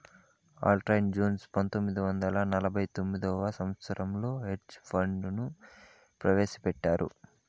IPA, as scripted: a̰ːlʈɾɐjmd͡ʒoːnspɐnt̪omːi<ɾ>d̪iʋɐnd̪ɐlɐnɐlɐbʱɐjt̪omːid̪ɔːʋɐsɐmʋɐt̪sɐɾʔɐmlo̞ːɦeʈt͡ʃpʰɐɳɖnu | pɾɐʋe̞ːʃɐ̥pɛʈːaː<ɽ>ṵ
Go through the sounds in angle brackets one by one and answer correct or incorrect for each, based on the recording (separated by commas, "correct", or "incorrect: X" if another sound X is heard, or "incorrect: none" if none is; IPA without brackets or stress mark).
incorrect: none, incorrect: ɾ